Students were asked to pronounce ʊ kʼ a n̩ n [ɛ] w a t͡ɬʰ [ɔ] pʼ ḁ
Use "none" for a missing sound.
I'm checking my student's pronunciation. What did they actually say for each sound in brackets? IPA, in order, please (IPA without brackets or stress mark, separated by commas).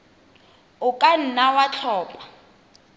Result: a, ɔː